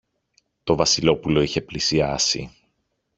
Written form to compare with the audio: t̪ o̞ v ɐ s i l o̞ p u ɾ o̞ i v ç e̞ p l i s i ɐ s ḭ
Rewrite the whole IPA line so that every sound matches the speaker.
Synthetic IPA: t̪ o̞ v ɐ s i l o̞ p u l o̞ i ç e̞ p l i s i ɐ s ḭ